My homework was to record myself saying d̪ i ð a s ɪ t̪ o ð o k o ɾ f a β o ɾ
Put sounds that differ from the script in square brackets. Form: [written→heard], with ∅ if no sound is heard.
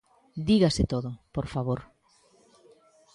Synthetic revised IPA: d̪ i [ð→ɣ] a s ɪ t̪ o ð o [k→p] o ɾ f a β o ɾ